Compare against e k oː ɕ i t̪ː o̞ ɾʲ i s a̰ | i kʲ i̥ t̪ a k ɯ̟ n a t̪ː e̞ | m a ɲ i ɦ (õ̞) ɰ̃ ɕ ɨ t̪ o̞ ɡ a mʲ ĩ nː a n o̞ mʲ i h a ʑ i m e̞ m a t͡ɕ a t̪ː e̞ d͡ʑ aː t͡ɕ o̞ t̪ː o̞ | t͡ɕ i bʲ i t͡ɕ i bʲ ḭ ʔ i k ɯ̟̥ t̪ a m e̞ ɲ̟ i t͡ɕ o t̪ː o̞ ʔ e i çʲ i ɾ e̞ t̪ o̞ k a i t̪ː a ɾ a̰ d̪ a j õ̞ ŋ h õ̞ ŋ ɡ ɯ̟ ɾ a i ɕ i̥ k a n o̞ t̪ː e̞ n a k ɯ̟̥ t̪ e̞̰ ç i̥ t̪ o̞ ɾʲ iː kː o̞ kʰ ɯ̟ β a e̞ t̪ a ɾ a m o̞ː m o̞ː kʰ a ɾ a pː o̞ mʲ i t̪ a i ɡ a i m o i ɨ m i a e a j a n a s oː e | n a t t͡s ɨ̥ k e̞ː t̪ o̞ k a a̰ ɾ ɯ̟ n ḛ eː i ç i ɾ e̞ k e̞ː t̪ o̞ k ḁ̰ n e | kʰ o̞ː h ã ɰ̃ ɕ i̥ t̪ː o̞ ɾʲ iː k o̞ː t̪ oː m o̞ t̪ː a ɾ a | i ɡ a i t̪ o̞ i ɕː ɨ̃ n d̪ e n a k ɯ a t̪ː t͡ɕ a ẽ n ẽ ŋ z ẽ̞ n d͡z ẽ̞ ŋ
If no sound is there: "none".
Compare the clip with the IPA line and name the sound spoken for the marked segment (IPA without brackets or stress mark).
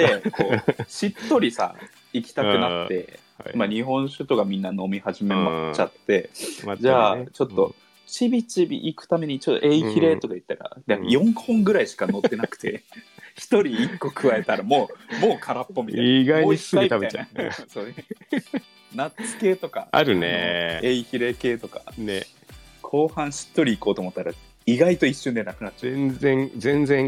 õ̞